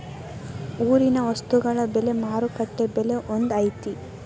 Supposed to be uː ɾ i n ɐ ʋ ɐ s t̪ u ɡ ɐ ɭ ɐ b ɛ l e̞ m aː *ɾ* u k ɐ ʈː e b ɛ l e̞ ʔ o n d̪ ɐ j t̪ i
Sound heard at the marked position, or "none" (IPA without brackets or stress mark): ɾ